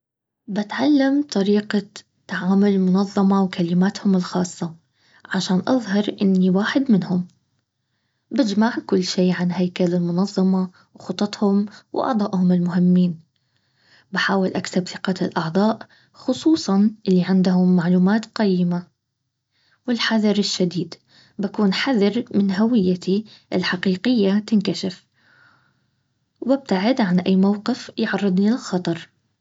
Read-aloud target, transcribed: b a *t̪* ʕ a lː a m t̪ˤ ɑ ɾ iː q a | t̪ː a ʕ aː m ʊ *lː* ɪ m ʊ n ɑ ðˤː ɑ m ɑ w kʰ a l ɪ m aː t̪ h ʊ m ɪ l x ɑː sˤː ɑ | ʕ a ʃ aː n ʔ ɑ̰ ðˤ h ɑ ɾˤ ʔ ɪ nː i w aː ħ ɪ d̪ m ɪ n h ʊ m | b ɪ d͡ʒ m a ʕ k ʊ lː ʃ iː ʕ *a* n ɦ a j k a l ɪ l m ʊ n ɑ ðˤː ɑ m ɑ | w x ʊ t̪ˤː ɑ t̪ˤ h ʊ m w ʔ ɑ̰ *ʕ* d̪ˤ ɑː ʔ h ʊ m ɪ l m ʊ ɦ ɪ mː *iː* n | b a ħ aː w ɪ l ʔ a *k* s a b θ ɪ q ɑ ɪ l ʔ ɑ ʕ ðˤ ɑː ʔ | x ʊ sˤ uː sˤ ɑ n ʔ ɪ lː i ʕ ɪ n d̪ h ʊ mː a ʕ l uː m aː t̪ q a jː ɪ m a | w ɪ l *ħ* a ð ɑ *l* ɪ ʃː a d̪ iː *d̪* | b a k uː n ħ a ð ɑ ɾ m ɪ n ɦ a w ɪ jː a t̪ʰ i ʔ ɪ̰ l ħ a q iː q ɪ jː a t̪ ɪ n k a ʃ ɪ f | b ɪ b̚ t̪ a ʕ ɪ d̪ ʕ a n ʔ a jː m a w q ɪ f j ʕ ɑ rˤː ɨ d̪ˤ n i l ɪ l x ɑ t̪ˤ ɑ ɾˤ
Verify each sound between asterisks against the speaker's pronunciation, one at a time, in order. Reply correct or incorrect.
correct, incorrect: l, correct, correct, correct, correct, correct, incorrect: ɾ, correct

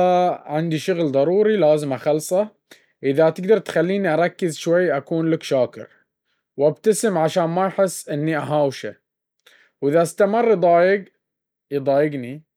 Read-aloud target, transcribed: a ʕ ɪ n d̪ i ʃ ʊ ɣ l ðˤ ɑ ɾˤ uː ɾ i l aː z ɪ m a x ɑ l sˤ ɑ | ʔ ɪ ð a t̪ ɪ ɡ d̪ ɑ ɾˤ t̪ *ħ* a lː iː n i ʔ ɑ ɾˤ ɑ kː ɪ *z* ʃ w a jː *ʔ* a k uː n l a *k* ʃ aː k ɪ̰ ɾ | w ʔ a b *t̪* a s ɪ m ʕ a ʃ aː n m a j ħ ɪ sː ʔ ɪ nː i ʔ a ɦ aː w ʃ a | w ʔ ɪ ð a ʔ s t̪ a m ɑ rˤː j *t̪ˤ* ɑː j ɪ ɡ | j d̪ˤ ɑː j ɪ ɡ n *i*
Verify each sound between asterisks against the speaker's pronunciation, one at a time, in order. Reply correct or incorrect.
incorrect: x, correct, correct, correct, correct, incorrect: d̪ˤ, correct

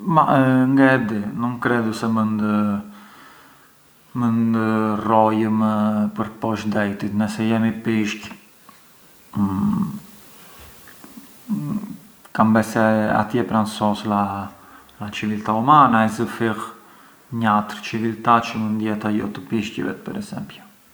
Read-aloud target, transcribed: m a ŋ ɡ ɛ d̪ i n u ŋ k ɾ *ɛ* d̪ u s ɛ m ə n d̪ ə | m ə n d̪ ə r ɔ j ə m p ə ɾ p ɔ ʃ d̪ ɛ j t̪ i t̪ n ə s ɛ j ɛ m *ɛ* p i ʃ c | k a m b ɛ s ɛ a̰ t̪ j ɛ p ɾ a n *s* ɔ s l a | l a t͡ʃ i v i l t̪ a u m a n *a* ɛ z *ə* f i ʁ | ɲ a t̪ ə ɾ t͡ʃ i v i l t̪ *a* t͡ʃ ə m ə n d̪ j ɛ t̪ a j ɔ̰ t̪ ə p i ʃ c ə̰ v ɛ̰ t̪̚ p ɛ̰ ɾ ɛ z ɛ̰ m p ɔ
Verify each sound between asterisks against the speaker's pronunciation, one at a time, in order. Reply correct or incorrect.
correct, incorrect: i, correct, correct, correct, correct

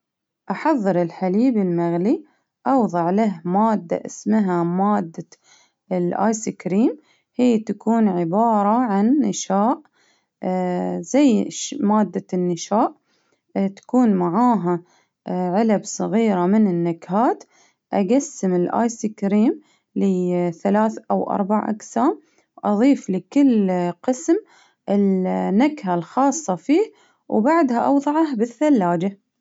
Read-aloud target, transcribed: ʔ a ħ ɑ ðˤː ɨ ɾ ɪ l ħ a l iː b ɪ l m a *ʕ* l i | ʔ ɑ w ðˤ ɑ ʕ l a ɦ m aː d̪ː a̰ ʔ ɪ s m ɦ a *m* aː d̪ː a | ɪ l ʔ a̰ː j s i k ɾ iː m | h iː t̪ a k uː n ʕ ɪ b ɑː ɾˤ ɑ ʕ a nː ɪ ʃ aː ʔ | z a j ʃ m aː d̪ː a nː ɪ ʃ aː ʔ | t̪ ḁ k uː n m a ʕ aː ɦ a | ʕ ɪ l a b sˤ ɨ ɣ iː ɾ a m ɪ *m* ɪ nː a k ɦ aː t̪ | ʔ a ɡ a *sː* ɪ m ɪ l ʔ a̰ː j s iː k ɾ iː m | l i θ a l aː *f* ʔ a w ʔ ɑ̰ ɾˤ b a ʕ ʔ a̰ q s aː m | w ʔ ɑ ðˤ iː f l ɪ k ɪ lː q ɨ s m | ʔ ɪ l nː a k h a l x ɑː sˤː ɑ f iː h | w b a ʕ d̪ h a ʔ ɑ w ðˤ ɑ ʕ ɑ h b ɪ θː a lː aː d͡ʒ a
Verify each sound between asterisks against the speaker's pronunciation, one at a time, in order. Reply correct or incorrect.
incorrect: ɣ, correct, incorrect: n, correct, incorrect: θ

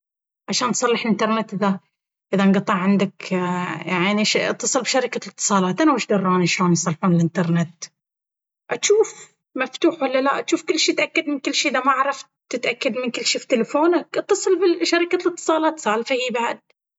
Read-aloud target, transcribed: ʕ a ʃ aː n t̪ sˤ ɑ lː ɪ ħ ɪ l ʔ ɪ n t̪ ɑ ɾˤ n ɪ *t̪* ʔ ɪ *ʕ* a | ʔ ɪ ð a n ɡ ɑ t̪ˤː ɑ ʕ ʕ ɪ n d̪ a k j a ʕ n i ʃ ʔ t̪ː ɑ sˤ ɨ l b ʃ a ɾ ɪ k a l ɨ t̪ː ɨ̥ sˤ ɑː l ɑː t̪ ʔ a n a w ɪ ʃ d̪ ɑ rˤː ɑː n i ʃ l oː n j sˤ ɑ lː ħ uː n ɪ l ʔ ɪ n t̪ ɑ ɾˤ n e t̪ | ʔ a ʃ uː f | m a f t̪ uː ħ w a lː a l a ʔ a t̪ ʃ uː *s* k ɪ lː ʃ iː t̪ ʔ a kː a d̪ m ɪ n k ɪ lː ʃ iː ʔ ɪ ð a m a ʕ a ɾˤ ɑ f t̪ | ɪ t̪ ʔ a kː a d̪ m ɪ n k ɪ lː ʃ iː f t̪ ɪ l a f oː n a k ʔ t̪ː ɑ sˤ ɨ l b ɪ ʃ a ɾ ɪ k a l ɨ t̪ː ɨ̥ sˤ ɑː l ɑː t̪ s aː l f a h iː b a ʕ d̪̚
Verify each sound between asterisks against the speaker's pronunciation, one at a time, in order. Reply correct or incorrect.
correct, incorrect: ð, incorrect: f

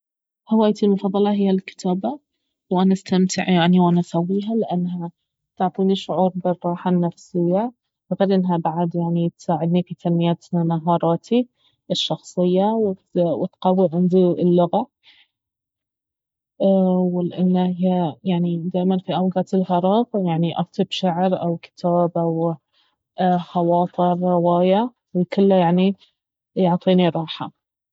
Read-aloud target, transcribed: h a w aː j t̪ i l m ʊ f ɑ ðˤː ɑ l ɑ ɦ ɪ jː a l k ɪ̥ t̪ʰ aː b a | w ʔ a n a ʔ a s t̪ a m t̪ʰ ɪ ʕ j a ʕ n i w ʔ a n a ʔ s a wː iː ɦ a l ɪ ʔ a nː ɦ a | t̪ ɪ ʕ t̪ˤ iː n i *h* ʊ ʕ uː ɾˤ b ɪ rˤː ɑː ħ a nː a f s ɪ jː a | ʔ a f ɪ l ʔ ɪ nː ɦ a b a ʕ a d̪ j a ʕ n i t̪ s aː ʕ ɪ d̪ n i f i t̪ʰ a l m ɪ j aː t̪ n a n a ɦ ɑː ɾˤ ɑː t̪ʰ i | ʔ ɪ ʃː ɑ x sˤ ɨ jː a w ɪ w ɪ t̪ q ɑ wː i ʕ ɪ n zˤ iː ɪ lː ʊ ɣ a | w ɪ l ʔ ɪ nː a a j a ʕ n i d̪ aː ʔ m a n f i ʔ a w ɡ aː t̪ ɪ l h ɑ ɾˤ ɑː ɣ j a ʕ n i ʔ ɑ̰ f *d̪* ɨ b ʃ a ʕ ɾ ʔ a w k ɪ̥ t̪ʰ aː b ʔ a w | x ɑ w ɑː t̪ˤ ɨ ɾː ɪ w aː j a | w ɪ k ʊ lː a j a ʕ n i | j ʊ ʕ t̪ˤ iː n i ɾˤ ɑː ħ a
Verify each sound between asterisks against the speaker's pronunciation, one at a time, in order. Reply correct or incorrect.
incorrect: ʃ, incorrect: t̪

